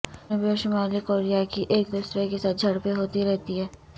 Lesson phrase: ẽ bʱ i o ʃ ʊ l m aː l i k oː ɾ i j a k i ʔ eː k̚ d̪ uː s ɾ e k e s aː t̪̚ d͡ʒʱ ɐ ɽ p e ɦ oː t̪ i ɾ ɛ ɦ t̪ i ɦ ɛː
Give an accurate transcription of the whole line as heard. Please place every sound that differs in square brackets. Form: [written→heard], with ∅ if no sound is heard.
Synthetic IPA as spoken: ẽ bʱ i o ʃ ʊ [l→∅] m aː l i k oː ɾ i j a k i ʔ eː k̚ d̪ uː s ɾ e k e s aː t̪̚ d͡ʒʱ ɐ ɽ p e ɦ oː t̪ i ɾ ɛ ɦ t̪ i ɦ ɛː